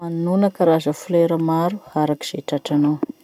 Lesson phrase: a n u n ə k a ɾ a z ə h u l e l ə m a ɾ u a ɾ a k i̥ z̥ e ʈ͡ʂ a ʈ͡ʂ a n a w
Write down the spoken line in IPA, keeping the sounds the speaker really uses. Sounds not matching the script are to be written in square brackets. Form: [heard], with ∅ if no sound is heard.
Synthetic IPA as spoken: a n u n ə k a ɾ a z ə [f] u l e [ɾ] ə m a ɾ u a ɾ a k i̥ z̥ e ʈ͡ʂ a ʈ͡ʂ a n a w